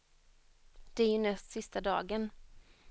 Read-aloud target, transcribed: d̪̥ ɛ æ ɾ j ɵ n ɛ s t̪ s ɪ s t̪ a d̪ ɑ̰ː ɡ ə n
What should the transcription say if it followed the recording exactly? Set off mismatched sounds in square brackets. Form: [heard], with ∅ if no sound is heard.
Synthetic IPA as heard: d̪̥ ɛ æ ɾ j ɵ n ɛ s t̪ s ɪ s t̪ a d̪ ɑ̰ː ɡ ə n